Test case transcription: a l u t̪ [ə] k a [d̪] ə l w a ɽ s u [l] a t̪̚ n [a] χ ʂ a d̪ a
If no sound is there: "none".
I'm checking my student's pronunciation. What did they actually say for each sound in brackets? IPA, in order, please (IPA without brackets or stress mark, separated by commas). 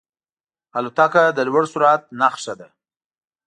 a, d̪, ɾ, a